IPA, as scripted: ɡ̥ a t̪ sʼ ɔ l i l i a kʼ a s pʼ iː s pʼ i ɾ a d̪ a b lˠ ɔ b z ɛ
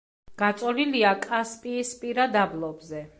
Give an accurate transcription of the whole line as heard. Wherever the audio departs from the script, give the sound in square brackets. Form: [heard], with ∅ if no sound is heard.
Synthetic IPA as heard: ɡ̥ a t̪ sʼ ɔ l i l i a kʼ a s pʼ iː s pʼ i ɾ a d̪ a b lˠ ɔ b z ɛ